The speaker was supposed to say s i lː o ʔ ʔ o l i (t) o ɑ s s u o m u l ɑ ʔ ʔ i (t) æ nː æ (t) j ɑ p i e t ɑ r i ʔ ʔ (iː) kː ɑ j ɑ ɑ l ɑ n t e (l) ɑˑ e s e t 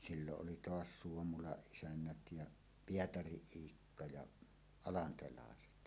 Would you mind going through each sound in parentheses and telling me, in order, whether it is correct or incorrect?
correct, incorrect: s, correct, correct, correct

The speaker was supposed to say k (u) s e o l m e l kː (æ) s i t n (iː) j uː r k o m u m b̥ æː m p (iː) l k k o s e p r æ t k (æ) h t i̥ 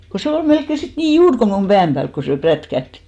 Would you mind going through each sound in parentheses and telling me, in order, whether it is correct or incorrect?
incorrect: o, incorrect: e, correct, incorrect: æː, correct

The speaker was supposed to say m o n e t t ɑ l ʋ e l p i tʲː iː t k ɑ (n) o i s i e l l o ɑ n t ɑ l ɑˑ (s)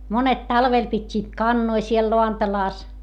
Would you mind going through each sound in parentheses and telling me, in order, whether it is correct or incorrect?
incorrect: nː, correct

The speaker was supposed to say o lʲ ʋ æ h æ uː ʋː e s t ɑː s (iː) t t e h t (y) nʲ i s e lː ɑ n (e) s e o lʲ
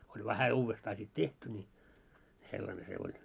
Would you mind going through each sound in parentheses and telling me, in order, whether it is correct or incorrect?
incorrect: i, correct, correct

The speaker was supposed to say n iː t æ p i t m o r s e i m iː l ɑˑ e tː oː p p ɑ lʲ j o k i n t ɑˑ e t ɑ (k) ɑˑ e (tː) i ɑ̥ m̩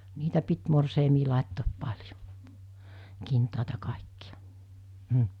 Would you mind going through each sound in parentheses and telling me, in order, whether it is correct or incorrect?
correct, incorrect: kː

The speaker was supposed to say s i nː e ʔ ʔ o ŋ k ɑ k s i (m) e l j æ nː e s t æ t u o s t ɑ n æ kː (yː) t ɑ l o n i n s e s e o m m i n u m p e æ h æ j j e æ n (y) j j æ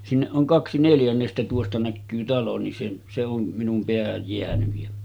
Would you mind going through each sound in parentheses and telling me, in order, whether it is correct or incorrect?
incorrect: n, correct, correct

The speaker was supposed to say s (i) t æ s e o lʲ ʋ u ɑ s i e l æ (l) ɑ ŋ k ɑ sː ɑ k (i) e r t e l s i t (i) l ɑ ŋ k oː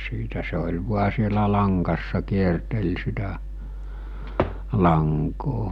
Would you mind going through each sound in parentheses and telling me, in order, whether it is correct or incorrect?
incorrect: iː, correct, correct, incorrect: æ

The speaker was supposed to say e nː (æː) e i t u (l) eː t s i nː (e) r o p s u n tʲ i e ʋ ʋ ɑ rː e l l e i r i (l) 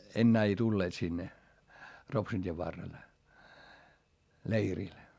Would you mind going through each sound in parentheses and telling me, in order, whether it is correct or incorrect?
correct, incorrect: lː, correct, correct

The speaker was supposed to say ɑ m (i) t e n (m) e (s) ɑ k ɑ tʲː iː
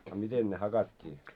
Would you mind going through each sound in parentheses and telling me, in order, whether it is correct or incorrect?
correct, incorrect: n, incorrect: h

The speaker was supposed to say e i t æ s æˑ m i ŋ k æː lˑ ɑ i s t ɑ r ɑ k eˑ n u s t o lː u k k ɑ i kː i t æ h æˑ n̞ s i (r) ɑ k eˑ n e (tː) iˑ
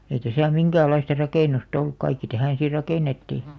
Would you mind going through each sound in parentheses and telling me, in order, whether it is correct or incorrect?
correct, correct

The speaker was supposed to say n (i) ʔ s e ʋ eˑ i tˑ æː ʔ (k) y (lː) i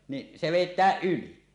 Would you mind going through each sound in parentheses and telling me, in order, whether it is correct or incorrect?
correct, incorrect: ʔ, incorrect: l

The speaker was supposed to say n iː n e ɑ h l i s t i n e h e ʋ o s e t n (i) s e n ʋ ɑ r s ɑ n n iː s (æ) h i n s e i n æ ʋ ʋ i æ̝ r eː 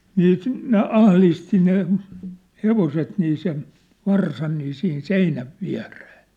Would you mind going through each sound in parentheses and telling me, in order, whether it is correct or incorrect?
incorrect: iː, incorrect: i

